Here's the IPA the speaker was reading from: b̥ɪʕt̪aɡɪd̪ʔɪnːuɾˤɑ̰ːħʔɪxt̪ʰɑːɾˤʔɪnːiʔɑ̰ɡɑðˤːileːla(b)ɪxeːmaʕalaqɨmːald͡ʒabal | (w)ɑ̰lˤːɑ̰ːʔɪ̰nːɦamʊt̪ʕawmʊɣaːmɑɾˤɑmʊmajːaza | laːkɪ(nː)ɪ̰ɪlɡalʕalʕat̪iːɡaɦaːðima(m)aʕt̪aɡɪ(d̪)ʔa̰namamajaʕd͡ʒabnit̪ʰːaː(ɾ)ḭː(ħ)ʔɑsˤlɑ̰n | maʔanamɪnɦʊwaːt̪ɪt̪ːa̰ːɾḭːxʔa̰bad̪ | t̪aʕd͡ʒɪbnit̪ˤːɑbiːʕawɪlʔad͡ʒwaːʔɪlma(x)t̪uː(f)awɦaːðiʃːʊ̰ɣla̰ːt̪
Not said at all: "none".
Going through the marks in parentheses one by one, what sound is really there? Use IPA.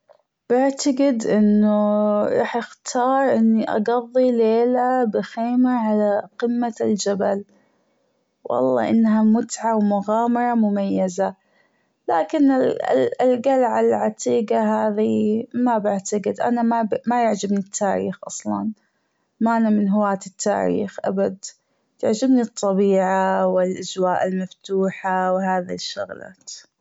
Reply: b, w, n, b, d̪, ɾ, x, f, ħ

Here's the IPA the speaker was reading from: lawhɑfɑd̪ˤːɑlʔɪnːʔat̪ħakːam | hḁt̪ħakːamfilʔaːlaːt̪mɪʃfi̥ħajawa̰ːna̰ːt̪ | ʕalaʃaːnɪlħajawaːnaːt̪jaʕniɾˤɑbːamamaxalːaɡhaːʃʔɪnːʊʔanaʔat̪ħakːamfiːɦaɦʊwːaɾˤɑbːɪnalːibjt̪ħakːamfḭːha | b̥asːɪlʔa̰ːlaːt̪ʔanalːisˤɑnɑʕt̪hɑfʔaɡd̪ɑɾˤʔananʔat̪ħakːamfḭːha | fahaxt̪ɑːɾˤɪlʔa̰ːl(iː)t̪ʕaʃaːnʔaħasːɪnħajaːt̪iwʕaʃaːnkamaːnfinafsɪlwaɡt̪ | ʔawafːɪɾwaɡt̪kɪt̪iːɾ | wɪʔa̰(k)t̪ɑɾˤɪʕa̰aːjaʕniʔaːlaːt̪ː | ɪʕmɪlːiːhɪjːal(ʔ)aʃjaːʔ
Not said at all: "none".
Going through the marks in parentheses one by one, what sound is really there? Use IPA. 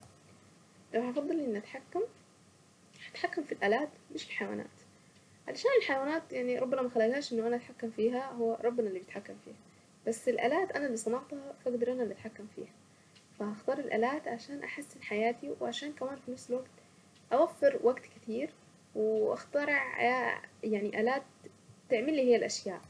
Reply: aː, x, ʔ

